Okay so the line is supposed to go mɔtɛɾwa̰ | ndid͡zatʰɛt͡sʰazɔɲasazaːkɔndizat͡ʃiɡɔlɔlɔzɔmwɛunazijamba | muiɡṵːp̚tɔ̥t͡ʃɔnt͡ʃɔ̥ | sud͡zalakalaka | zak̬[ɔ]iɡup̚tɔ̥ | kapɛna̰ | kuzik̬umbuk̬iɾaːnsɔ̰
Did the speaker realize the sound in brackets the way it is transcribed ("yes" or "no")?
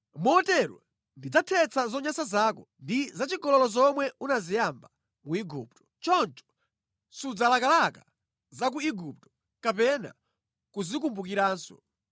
no